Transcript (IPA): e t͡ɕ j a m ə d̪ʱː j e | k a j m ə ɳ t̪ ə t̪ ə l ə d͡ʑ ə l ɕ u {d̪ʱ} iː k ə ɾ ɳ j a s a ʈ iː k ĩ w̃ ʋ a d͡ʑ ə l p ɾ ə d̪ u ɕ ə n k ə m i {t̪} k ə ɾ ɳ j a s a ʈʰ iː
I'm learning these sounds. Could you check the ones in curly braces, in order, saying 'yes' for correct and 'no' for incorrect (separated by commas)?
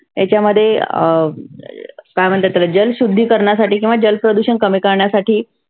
no, no